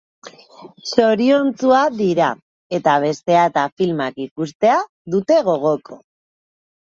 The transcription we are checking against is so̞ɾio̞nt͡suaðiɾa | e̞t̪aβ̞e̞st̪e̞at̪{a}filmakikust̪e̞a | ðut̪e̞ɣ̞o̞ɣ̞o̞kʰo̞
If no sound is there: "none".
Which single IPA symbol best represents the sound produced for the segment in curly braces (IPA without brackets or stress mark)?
a